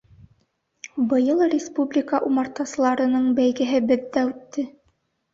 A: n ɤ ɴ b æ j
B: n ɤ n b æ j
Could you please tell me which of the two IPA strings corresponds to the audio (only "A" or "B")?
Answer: A